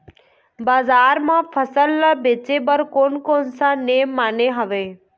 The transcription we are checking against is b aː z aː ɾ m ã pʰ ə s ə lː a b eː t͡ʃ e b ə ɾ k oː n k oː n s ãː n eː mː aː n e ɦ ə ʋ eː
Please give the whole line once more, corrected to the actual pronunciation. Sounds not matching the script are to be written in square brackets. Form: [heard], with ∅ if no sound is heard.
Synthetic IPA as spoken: b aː z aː ɾ m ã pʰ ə s ə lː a b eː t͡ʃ e b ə ɾ k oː n k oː n s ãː n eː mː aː n e ɦ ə ʋ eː